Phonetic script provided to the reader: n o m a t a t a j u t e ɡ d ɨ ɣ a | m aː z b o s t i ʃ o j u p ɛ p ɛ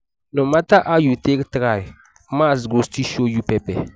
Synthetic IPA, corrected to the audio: n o m a t a ʔ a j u t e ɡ t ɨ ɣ a | m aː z ɡ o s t i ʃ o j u p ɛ p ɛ